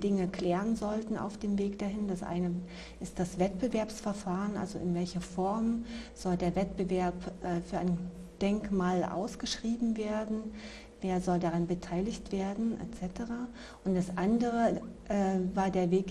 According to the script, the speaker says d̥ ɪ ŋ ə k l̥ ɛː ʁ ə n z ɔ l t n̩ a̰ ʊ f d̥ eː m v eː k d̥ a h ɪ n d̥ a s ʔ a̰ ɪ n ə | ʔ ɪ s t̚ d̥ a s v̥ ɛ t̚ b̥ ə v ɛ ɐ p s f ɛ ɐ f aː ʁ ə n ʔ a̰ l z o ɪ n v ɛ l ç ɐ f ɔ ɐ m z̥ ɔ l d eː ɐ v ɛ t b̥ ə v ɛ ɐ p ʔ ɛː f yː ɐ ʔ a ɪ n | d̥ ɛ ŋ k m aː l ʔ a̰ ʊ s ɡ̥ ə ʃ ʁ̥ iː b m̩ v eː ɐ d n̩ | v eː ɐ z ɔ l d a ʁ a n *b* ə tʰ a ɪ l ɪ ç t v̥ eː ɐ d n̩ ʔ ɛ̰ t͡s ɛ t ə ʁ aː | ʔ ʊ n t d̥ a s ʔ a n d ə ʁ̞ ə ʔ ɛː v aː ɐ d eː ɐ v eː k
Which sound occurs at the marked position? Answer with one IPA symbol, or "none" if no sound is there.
b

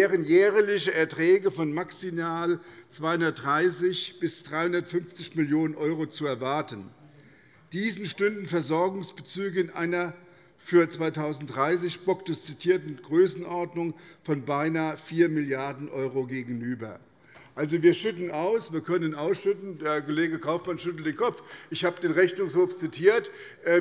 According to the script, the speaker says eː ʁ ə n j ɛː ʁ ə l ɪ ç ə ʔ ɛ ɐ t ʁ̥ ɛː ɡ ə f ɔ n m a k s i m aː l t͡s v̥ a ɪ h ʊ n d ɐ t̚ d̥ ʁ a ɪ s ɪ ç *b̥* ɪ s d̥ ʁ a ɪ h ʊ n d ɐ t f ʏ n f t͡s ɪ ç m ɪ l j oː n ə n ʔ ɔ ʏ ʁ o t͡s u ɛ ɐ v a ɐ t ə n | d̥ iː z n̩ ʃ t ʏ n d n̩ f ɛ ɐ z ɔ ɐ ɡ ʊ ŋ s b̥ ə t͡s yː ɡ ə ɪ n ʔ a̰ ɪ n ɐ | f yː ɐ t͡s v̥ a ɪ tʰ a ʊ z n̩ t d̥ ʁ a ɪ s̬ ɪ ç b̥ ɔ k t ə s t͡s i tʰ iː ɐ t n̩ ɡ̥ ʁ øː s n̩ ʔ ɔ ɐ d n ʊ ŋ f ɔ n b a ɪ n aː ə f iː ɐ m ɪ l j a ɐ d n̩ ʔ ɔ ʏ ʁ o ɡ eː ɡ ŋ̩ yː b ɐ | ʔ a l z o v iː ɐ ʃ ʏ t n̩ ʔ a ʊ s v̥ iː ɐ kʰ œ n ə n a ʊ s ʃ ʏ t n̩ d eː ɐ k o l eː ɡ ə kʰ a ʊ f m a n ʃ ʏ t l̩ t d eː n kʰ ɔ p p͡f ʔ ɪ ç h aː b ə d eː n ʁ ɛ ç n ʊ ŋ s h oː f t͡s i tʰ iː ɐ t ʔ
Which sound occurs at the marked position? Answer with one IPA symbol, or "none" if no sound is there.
b̥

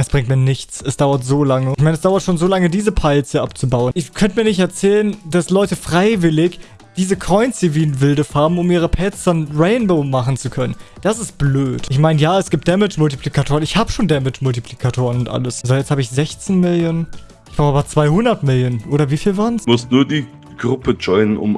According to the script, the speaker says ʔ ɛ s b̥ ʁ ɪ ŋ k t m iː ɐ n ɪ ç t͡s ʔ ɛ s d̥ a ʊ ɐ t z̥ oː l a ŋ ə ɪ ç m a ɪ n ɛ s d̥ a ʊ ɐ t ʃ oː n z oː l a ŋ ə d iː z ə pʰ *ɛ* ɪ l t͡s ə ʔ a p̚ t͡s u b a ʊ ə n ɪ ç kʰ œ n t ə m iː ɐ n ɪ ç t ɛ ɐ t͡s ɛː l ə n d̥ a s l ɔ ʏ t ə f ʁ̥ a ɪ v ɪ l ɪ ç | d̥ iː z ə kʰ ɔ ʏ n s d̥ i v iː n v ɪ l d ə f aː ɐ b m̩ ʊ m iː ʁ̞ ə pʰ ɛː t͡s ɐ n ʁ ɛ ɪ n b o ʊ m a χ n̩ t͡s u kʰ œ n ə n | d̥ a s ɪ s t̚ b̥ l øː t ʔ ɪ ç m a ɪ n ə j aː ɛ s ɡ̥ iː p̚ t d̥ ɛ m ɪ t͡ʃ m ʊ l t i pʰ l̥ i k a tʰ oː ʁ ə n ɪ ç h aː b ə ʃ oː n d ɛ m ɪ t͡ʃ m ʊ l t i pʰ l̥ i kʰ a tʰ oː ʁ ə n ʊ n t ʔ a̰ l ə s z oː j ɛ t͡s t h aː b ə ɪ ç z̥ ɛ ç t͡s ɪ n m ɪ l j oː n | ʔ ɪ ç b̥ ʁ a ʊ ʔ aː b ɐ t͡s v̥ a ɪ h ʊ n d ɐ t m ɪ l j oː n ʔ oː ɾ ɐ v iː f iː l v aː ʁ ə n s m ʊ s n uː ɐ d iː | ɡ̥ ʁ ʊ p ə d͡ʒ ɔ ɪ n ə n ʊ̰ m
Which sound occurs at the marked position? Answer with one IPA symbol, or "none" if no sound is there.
a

